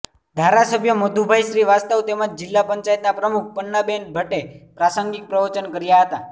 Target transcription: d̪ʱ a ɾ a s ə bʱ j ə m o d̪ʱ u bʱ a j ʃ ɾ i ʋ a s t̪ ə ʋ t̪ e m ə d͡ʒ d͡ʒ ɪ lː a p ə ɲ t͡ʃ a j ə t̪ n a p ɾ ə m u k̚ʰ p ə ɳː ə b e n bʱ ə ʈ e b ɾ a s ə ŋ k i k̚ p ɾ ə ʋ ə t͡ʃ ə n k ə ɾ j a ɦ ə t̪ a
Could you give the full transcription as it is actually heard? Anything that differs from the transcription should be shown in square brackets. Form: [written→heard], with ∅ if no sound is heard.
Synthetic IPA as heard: d̪ʱ a ɾ a s ə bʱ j ə m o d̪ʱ u bʱ a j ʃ ɾ i ʋ a s t̪ ə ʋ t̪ e m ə d͡ʒ d͡ʒ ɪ lː a p ə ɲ t͡ʃ a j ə t̪ n a p ɾ ə m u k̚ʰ p ə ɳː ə b e n bʱ ə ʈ e [b→p] ɾ a s ə ŋ [k→ɡ] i k̚ p ɾ ə ʋ ə t͡ʃ ə n k ə ɾ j a ɦ ə t̪ a